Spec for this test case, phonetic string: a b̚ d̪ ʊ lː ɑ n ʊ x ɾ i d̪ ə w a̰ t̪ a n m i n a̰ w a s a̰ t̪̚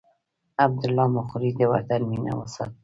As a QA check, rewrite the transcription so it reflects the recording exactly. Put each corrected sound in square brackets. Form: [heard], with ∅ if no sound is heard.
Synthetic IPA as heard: a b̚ d̪ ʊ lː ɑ [m] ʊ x ɾ i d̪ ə w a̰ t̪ a n m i n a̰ w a s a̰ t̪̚